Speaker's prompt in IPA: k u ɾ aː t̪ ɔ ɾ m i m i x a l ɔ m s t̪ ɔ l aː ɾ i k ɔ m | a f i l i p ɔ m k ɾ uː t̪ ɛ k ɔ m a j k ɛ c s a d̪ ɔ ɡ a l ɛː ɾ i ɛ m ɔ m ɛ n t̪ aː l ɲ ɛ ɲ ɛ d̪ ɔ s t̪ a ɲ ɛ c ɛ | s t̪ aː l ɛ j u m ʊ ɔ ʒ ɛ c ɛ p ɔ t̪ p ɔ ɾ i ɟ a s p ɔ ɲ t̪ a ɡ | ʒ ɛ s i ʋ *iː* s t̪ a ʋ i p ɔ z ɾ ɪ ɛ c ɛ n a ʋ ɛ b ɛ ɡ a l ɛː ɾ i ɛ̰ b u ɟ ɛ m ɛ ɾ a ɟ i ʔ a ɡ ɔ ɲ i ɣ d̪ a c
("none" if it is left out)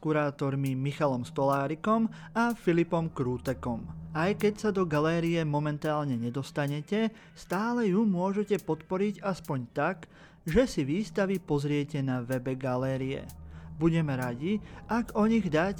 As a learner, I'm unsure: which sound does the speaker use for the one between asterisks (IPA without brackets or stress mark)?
iː